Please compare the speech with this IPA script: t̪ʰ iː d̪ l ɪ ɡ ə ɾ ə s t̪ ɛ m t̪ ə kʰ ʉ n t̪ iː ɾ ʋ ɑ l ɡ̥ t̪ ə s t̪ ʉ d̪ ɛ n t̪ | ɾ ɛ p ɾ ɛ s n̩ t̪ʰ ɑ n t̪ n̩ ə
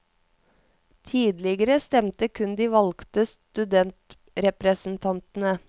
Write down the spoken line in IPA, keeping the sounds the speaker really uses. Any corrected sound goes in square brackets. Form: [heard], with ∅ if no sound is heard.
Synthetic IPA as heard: t̪ʰ iː d̪ l ɪ ɡ ə ɾ ə s t̪ ɛ m t̪ ə kʰ ʉ n [d̪] iː [∅] ʋ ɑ l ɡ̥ t̪ ə s t̪ ʉ d̪ ɛ n t̪ | ɾ ɛ p ɾ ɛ s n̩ t̪ʰ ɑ n t̪ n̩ ə